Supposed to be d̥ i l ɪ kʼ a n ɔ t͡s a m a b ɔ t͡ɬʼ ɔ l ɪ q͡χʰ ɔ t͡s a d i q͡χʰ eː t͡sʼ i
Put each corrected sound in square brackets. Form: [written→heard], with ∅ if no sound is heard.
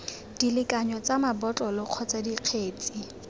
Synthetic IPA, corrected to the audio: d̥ i l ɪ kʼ a [n→ɲ] ɔ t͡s a m a b ɔ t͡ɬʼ ɔ l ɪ q͡χʰ ɔ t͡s a d i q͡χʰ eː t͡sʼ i